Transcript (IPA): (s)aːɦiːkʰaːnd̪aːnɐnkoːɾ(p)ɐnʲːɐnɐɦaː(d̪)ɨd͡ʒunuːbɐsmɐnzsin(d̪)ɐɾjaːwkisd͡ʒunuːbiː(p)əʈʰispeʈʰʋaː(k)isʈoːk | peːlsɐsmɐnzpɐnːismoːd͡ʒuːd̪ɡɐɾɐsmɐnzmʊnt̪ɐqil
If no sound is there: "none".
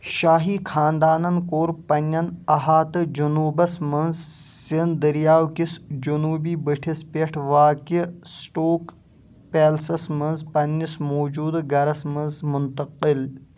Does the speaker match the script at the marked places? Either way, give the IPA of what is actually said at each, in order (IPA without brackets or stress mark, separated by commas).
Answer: ʃ, p, t̪, d̪, b, k